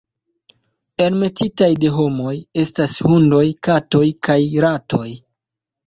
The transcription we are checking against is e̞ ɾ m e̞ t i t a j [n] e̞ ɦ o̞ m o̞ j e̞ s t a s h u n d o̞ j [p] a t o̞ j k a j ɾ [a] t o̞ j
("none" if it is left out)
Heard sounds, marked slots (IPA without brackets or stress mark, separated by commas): d, k, a